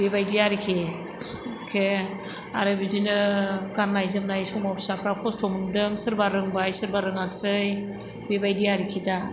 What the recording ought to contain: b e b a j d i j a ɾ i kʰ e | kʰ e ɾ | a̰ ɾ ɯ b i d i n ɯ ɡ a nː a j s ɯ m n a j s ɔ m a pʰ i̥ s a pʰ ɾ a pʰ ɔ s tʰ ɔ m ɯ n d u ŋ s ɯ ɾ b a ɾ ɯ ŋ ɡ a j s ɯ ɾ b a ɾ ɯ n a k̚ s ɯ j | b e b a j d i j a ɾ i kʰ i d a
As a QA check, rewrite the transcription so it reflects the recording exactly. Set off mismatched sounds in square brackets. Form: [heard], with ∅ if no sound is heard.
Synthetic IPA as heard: b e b a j d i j a ɾ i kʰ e | kʰ e [∅] | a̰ ɾ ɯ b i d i n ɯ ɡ a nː a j [z] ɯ m n a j s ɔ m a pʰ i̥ s a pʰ ɾ a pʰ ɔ s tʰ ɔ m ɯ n d [ɯ] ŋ s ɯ ɾ b a ɾ ɯ ŋ [b] a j s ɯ ɾ b a ɾ ɯ [ŋ] a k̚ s ɯ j | b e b a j d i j a ɾ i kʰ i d a